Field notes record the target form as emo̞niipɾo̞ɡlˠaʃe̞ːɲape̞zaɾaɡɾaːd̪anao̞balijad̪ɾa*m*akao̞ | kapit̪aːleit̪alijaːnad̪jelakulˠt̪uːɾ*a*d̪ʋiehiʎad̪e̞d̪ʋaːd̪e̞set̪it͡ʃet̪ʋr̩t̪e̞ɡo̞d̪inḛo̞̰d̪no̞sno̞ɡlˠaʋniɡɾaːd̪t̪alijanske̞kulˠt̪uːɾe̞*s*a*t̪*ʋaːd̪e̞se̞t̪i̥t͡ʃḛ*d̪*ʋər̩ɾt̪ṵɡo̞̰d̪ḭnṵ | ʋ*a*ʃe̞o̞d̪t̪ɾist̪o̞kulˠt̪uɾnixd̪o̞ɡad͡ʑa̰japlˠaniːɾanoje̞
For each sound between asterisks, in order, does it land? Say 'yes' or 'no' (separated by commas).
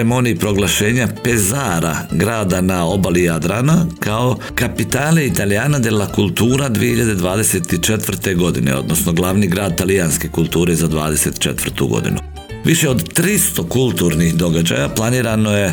no, yes, no, no, no, no